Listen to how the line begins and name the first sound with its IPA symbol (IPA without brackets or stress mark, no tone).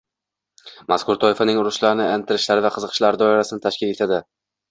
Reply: m